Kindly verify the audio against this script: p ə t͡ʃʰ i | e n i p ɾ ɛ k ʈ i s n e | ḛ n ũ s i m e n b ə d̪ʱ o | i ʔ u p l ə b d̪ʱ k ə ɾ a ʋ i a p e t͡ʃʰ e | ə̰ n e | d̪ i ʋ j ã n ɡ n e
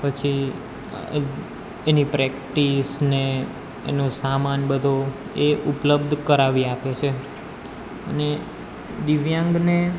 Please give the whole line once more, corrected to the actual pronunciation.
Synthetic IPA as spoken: p ə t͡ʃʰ i | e n i p ɾ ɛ k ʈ i s n e | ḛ n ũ s a m a n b ə d̪ʱ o | e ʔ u p l ə b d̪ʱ k ə ɾ a ʋ i a p e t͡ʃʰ e | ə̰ n e | d̪ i ʋ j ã ŋ ɡ n e